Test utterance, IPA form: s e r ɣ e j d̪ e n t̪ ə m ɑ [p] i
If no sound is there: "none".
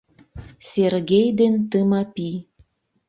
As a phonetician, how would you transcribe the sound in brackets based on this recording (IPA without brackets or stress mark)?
p